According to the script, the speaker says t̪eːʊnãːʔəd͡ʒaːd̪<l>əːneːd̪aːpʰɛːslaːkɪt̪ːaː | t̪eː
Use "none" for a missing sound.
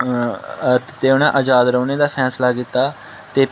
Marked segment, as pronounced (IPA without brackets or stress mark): ɾ